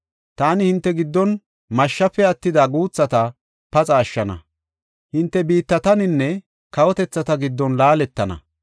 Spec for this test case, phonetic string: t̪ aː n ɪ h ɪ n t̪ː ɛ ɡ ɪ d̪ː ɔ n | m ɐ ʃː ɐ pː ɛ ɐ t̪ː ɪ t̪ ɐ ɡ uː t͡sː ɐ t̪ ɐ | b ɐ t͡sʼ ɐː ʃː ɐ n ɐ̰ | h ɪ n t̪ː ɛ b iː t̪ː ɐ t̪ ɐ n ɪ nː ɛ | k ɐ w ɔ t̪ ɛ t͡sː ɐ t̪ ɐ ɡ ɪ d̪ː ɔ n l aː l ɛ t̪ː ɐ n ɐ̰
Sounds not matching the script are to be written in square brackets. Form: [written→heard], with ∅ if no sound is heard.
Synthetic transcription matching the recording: t̪ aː n ɪ h ɪ n t̪ː ɛ ɡ ɪ d̪ː ɔ n | m ɐ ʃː ɐ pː ɛ ɐ t̪ː ɪ [t̪→d̪] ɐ ɡ uː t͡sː ɐ t̪ ɐ | [b→p] ɐ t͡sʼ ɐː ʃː ɐ n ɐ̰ | h ɪ n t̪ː ɛ b iː t̪ː ɐ t̪ ɐ n ɪ nː ɛ | k ɐ w ɔ t̪ ɛ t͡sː ɐ t̪ ɐ ɡ ɪ d̪ː ɔ n l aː l ɛ t̪ː ɐ n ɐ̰